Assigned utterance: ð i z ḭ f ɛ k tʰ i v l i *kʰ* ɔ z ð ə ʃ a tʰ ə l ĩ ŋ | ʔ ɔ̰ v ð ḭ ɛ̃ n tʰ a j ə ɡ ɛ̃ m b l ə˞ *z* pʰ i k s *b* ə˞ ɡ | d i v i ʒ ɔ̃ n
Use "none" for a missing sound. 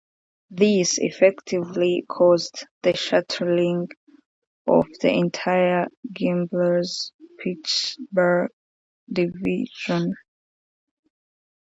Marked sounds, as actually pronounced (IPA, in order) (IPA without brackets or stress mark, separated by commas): kʰ, z, b